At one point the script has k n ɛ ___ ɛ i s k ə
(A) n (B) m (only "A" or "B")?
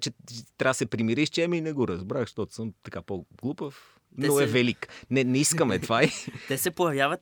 A